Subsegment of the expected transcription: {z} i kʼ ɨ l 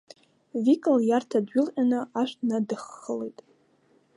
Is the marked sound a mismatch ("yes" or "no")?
yes